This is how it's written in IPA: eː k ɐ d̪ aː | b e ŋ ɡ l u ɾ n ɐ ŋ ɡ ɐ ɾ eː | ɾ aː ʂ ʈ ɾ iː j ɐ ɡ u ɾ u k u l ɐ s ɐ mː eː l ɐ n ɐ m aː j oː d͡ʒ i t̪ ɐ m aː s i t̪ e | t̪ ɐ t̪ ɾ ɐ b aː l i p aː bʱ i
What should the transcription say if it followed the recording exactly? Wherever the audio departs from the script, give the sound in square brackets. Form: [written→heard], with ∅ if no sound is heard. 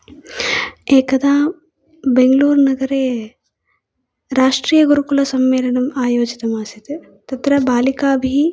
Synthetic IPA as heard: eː k ɐ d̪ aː | b e ŋ ɡ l [u→uː] ɾ n ɐ [ŋ→∅] ɡ ɐ ɾ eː | ɾ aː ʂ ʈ ɾ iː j ɐ ɡ u ɾ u k u l ɐ s ɐ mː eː l ɐ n ɐ m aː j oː d͡ʒ i t̪ ɐ m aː s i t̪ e | t̪ ɐ t̪ ɾ ɐ b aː l i [p→k] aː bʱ i